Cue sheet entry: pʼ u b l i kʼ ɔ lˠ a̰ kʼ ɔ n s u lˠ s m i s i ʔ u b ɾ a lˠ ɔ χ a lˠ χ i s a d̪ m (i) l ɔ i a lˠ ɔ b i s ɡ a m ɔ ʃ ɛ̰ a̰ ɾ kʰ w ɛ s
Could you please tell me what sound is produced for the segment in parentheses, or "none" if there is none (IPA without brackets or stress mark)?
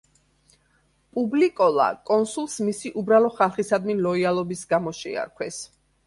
i